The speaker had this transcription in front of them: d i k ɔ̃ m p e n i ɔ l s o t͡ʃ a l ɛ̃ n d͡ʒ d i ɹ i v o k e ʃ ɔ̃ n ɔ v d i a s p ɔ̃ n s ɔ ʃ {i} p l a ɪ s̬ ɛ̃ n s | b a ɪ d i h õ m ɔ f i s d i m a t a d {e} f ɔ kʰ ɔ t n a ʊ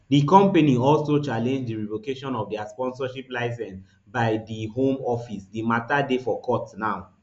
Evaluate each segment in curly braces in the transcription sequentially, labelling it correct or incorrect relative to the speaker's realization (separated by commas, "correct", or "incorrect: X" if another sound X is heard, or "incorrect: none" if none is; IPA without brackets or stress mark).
correct, correct